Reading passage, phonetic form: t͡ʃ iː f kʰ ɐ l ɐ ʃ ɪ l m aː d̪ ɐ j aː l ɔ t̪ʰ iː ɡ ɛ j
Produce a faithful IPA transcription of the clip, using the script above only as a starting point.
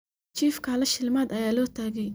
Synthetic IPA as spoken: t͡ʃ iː f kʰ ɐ l ɐ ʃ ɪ l m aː d̪ ɐ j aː l ɔː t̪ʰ aː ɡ ɛ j